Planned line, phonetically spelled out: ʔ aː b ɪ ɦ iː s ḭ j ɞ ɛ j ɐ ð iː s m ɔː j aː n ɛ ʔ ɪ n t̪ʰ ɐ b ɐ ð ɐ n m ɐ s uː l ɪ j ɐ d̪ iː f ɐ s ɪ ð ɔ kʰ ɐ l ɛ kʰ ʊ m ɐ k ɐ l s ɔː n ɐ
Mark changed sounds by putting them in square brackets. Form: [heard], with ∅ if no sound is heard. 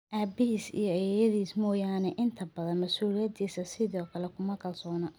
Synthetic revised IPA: ʔ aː b ɪ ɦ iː s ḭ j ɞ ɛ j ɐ ð iː s m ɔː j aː n ɛ ʔ ɪ n t̪ʰ ɐ b ɐ ð ɐ n m ɐ s uː l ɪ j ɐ d̪ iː [s] ɐ s ɪ ð [ɔː] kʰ ɐ l ɛ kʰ ʊ m ɐ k ɐ l s ɔː n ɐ